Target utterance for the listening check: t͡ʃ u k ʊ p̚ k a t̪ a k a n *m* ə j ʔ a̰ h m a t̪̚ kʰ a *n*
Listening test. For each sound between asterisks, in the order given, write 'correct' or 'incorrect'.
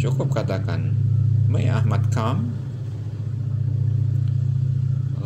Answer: correct, incorrect: m

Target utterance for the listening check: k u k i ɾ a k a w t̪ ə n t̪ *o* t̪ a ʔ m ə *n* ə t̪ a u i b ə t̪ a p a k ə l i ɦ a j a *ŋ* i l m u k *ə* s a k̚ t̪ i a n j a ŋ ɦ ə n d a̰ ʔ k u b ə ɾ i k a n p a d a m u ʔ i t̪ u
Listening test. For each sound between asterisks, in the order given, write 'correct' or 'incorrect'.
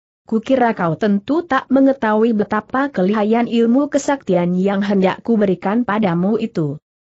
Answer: incorrect: u, incorrect: ŋ, incorrect: n, correct

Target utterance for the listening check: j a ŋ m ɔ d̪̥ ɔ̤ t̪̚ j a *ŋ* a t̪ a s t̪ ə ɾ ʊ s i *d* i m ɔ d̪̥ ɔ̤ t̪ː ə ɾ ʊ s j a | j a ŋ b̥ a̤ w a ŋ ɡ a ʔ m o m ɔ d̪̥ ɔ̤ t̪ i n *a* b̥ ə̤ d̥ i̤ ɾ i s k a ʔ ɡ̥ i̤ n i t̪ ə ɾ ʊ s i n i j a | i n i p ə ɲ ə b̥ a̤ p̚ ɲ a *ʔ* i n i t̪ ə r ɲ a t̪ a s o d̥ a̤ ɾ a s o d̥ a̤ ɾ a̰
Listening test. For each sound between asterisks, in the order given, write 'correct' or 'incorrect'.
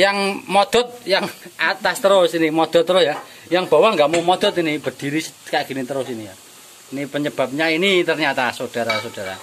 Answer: correct, incorrect: n, incorrect: i, incorrect: none

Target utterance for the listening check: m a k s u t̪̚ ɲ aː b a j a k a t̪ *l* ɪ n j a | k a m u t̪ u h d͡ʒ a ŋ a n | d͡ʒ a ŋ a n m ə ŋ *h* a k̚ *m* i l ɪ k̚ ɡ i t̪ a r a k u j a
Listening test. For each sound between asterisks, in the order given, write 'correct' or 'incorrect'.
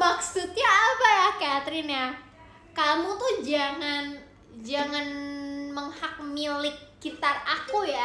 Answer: incorrect: ɾ, correct, correct

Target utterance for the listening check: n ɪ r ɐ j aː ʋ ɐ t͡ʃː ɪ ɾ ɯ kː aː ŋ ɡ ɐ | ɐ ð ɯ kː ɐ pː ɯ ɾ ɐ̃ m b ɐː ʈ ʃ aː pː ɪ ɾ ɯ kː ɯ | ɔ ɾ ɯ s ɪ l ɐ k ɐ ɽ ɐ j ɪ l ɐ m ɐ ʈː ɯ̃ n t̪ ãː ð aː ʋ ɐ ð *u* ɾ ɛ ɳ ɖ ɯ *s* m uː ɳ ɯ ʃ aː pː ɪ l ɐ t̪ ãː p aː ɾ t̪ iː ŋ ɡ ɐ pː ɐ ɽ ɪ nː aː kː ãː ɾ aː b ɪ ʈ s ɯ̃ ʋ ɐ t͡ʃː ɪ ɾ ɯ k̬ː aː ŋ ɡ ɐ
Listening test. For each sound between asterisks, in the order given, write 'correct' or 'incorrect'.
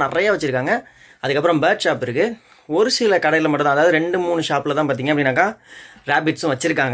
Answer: incorrect: ɯ, incorrect: none

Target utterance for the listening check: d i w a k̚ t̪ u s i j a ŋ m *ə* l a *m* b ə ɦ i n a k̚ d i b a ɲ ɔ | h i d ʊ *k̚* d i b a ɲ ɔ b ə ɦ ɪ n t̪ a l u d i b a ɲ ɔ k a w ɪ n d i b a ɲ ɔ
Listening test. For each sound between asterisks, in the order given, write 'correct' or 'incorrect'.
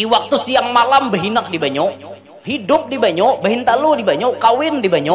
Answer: incorrect: a, correct, incorrect: p̚

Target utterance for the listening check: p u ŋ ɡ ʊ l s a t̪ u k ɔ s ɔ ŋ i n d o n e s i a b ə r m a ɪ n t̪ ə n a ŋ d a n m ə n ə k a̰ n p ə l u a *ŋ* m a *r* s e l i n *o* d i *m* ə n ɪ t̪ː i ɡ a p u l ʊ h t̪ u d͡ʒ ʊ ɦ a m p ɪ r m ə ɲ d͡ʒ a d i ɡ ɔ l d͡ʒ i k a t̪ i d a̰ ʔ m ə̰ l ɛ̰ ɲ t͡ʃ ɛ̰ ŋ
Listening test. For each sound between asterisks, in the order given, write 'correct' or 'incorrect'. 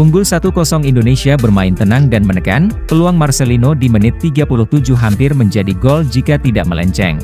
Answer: correct, correct, correct, correct

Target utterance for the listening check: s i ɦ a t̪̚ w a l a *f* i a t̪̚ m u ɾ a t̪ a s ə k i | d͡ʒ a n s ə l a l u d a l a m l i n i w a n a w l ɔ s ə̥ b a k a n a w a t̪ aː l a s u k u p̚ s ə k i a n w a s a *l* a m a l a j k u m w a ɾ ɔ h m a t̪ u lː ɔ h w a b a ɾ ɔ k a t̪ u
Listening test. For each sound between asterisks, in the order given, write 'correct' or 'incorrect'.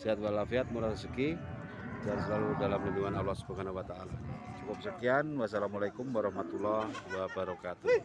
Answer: correct, correct

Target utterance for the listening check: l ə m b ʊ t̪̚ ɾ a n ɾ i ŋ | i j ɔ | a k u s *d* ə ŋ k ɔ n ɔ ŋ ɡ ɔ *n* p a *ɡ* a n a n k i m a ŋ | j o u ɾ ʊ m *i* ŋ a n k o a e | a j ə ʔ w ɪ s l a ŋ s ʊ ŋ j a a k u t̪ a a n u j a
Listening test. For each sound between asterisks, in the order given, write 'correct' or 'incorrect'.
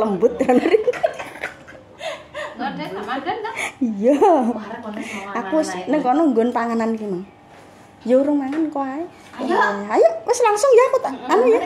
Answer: incorrect: n, correct, incorrect: ŋ, incorrect: a

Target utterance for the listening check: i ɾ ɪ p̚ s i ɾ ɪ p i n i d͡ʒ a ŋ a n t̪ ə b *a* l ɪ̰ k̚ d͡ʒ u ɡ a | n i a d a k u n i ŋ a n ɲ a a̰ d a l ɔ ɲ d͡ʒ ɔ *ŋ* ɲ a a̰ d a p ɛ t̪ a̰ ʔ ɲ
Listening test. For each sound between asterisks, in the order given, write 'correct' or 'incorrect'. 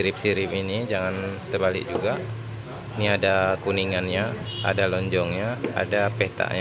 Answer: correct, correct

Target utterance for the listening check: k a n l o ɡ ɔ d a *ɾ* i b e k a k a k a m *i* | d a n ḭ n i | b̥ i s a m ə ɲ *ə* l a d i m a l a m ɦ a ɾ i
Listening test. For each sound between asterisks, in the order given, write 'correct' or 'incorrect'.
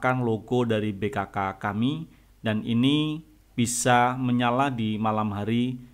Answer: correct, correct, incorrect: a

